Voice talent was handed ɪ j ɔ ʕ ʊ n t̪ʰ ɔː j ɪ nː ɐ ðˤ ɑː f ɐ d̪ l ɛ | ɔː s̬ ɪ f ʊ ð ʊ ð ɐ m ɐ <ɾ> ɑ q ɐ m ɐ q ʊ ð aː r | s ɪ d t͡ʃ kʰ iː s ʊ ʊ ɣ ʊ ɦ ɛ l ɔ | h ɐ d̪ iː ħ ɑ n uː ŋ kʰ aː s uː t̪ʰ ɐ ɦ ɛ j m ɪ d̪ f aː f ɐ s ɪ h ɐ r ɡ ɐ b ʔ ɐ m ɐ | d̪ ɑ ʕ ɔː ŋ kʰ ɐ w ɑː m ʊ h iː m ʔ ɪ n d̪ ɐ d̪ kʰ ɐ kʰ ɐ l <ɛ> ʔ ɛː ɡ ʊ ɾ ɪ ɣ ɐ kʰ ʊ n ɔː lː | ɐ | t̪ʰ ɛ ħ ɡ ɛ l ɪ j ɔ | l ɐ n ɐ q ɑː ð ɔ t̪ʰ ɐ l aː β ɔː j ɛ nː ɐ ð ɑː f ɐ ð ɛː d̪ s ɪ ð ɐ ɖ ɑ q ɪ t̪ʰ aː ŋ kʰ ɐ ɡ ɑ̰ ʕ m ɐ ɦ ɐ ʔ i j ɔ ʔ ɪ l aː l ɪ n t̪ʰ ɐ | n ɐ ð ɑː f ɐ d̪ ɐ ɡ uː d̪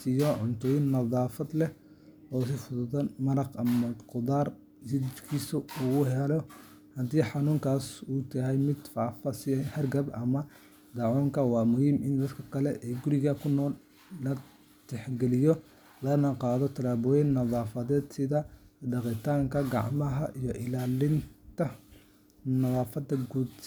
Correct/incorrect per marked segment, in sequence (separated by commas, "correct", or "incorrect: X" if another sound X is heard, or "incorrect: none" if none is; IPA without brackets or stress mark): correct, correct